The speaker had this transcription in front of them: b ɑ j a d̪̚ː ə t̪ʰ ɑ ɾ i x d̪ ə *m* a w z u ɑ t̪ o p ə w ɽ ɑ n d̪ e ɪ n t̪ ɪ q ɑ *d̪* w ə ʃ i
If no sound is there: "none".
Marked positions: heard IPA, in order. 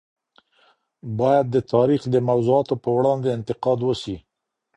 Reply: m, d̪

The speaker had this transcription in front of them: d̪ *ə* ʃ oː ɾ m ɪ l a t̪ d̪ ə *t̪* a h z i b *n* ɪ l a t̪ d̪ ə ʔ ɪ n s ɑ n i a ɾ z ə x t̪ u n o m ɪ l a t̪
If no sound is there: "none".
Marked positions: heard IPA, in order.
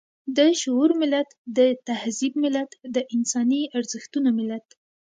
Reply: ə, t̪, m

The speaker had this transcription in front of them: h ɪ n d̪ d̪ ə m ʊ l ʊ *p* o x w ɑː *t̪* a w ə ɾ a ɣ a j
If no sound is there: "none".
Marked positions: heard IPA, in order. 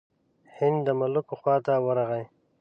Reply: k, t̪

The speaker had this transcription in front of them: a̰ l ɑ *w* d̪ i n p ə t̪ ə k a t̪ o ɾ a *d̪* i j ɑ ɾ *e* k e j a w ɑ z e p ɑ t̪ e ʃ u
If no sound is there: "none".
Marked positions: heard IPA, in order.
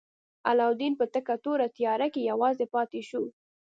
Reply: w, t̪, a

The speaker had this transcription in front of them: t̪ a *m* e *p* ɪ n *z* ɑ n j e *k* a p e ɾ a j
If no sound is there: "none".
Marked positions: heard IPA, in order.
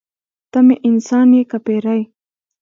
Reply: m, ʔ, s, k

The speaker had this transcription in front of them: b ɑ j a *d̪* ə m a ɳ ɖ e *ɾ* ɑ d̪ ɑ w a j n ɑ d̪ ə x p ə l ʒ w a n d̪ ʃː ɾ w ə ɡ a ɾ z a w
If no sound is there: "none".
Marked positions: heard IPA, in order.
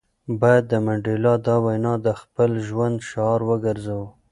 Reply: d̪ː, l

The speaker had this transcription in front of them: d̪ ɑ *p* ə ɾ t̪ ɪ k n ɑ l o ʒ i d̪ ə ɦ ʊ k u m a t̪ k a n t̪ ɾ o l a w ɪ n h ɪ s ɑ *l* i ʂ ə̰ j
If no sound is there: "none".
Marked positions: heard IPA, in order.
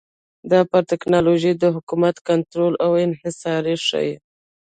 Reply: p, ɾ

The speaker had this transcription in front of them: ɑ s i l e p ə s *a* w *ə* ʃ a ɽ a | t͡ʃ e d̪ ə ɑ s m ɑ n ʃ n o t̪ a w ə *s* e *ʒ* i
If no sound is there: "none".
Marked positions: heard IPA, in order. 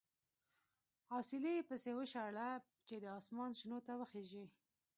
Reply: e, ə, x, ʒ

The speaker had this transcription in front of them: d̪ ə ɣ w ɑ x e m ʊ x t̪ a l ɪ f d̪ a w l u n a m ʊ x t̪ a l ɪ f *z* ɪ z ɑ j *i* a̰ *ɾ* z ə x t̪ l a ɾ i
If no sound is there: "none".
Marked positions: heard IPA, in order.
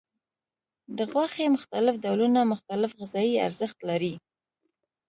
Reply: ɣ, i, ɾ

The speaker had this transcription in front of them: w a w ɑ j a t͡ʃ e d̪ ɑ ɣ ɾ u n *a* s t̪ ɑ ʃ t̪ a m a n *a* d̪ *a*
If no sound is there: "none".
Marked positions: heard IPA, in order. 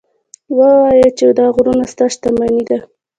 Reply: a, i, a

